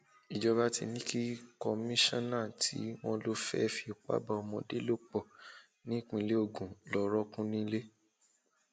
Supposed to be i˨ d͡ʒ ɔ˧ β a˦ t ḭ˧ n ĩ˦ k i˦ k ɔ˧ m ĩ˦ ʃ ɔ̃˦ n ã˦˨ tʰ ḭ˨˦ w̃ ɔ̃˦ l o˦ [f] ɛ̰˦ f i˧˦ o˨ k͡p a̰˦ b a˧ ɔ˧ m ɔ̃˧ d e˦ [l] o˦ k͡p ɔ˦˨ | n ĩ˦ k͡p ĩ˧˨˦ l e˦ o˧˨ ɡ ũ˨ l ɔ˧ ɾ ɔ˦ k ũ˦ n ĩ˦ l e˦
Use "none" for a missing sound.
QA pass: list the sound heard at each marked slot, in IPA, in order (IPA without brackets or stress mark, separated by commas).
f, l